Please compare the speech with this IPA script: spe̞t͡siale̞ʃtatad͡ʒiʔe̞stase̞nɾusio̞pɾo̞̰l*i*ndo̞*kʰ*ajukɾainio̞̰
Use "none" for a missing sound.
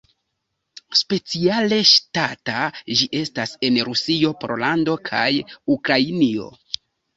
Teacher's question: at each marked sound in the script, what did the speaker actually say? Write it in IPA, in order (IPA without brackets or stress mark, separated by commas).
a, kʰ